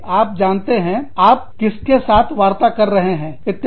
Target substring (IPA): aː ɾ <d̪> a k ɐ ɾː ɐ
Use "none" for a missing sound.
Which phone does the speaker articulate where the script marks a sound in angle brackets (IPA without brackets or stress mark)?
t̪